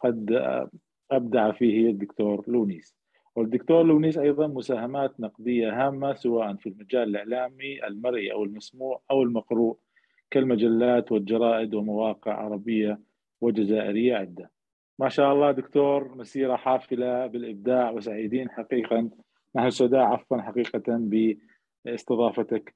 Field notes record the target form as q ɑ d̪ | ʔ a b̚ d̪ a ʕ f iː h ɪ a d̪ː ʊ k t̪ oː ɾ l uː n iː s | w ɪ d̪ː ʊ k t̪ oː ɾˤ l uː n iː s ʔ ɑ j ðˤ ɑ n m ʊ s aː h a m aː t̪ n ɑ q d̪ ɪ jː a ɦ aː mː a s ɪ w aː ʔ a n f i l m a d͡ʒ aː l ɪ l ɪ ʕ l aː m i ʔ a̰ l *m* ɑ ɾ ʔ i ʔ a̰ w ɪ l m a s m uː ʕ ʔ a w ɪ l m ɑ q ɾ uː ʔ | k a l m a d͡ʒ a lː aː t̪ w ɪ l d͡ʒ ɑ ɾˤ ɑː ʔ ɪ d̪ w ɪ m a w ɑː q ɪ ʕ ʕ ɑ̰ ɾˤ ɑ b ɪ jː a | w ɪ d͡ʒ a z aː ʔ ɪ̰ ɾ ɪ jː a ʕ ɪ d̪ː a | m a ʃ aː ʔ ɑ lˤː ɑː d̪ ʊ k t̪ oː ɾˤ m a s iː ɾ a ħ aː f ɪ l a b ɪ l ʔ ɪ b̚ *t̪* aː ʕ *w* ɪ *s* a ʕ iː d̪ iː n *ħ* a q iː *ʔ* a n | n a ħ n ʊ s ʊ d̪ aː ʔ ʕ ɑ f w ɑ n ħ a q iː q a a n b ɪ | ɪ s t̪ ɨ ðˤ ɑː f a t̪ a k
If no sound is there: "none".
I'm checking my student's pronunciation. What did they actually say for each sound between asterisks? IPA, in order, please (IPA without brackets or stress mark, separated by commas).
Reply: m, d̪, w, s, ħ, q